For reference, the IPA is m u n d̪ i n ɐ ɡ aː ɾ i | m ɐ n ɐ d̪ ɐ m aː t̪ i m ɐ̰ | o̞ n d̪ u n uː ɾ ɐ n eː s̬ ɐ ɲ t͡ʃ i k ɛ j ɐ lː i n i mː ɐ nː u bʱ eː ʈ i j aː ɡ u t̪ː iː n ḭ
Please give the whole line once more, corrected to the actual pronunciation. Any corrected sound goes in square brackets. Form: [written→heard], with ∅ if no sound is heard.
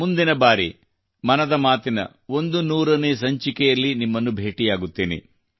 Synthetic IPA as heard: m u n d̪ i n ɐ [ɡ→b] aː ɾ i | m ɐ n ɐ d̪ ɐ m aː t̪ i [m→n] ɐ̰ | o̞ n d̪ u n uː ɾ ɐ n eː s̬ ɐ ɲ t͡ʃ i k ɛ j ɐ lː i n i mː ɐ nː u bʱ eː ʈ i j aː ɡ u t̪ː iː n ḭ

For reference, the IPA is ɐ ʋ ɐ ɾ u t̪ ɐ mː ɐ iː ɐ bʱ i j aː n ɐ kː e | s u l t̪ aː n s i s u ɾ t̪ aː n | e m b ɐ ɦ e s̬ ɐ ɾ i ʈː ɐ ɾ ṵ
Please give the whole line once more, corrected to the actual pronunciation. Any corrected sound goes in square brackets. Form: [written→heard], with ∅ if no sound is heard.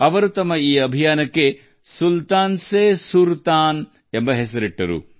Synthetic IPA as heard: ɐ ʋ ɐ ɾ u t̪ ɐ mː ɐ iː ɐ bʱ i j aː n ɐ kː e | s u l t̪ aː n s [i→e] s u ɾ t̪ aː n | e m b ɐ ɦ e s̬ ɐ ɾ i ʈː ɐ ɾ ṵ

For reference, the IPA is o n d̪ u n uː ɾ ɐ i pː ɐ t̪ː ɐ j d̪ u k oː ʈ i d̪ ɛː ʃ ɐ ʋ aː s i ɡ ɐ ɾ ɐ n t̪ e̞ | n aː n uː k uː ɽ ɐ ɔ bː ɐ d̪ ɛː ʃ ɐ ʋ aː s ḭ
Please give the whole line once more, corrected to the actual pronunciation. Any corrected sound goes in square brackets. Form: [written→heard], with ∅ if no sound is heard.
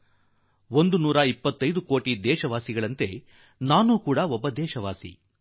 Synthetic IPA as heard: o n d̪ u n uː ɾ ɐ i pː ɐ t̪ː ɐ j d̪ u k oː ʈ i d̪ ɛː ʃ ɐ ʋ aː s i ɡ ɐ [ɾ→ɭ] ɐ n t̪ e̞ | n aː n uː k uː ɽ ɐ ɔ bː ɐ d̪ ɛː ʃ ɐ ʋ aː s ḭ

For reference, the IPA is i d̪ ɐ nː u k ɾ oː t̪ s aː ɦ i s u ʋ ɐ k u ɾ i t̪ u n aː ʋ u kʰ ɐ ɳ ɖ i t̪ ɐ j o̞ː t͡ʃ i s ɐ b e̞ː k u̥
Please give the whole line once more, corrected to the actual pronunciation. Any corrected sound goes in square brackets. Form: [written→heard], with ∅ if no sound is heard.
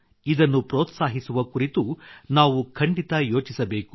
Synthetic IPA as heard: i d̪ ɐ nː u [k→p] ɾ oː t̪ s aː ɦ i s u ʋ ɐ k u ɾ i t̪ u n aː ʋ u kʰ ɐ ɳ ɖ i t̪ ɐ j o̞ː t͡ʃ i s ɐ b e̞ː k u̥

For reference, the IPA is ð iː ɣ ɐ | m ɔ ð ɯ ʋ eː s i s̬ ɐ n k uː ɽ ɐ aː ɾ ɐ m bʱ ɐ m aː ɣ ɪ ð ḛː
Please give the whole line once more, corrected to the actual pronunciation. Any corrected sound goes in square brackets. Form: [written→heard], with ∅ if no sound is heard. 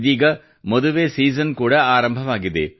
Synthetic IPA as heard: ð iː ɣ ɐ | m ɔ ð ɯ ʋ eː s [i→iː] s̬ ɐ n k uː ɽ ɐ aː ɾ ɐ m bʱ ɐ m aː ɣ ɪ ð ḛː

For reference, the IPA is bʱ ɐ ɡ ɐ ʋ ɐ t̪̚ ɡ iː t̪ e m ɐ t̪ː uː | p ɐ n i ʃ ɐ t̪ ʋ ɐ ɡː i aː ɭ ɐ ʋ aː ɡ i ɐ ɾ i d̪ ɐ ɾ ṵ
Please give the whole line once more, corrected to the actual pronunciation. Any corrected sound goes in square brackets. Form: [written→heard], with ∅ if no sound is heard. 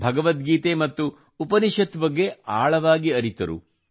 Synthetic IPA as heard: bʱ ɐ ɡ ɐ ʋ ɐ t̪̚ ɡ iː t̪ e m ɐ t̪ː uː | p ɐ n i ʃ ɐ t̪ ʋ ɐ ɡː [i→e] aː ɭ ɐ ʋ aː ɡ i ɐ ɾ i [d̪→t̪] ɐ ɾ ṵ

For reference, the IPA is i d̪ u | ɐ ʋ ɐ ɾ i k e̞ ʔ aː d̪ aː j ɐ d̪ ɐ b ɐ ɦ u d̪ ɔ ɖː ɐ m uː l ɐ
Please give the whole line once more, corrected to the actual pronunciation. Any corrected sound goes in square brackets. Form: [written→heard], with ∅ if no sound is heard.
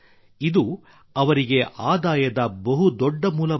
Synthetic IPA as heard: i d̪ u | ɐ ʋ ɐ ɾ i [k→ɡ] e̞ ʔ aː d̪ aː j ɐ d̪ ɐ b ɐ ɦ u d̪ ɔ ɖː ɐ m uː l ɐ

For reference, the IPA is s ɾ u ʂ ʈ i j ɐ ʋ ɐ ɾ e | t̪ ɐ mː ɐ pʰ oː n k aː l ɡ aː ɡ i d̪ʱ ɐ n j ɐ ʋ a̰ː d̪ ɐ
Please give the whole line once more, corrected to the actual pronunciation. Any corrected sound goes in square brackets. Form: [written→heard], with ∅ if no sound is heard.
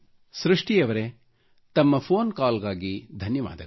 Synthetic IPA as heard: s ɾ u ʂ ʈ i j ɐ ʋ ɐ ɾ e | t̪ ɐ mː ɐ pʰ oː n k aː l ɡ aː ɡ i d̪ʱ ɐ n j ɐ ʋ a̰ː d̪ ɐ

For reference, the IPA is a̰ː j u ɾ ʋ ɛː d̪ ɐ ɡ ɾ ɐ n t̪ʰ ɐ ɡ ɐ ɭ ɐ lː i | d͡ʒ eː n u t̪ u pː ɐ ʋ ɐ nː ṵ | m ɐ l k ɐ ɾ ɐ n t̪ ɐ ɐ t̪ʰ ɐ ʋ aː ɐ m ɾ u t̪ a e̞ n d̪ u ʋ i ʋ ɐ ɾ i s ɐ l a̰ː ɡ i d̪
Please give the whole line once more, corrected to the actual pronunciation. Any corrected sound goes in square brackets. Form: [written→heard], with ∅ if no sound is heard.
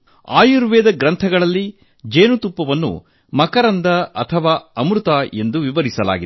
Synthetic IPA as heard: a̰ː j u ɾ ʋ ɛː d̪ ɐ ɡ ɾ ɐ n t̪ʰ ɐ ɡ ɐ ɭ ɐ lː i | d͡ʒ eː n u t̪ u pː ɐ ʋ ɐ nː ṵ | m ɐ [l→∅] k ɐ ɾ ɐ n [t̪→d̪] ɐ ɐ t̪ʰ ɐ ʋ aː ɐ m ɾ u t̪ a e̞ n d̪ u ʋ i ʋ ɐ ɾ i s ɐ l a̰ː ɡ i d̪

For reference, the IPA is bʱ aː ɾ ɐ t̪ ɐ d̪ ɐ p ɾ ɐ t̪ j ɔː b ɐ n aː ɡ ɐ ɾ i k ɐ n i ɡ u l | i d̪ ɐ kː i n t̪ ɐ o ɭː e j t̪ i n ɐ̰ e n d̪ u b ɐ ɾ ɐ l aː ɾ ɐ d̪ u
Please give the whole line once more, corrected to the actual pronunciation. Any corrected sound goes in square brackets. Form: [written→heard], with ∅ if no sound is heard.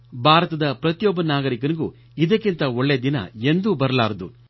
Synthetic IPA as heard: bʱ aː ɾ ɐ t̪ ɐ d̪ ɐ p ɾ ɐ t̪ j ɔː b ɐ n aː ɡ ɐ ɾ i k ɐ n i ɡ u [l→∅] | i d̪ ɐ kː i n t̪ ɐ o ɭː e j [t̪→d̪] i n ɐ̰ e n d̪ u b ɐ ɾ ɐ l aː ɾ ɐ d̪ u

